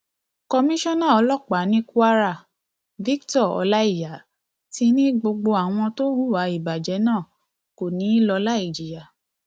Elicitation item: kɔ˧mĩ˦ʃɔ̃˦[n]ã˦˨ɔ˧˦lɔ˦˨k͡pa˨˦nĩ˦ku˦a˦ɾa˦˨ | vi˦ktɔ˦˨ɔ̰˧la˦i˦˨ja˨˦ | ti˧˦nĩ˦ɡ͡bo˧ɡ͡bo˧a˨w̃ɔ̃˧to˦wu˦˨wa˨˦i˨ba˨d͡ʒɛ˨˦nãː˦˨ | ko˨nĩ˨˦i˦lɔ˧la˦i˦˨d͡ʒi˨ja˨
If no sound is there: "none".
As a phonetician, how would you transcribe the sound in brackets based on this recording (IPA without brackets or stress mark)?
n